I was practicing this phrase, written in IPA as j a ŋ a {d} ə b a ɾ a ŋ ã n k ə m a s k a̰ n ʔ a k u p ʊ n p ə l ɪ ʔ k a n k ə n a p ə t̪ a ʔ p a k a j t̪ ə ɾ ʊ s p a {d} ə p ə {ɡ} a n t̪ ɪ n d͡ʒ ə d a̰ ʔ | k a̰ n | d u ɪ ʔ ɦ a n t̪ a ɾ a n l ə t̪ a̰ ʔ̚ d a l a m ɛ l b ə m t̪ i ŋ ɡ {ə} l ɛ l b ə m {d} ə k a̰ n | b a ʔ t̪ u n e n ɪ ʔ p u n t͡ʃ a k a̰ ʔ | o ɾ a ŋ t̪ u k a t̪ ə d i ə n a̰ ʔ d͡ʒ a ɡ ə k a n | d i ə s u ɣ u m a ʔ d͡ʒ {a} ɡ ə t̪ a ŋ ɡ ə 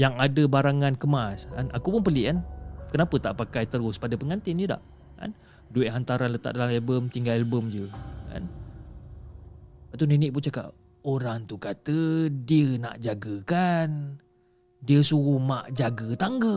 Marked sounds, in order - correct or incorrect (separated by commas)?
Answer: correct, correct, incorrect, incorrect, incorrect, correct